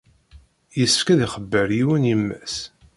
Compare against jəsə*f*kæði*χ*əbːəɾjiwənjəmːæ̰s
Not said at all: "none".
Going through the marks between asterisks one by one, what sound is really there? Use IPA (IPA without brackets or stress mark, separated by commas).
f, χ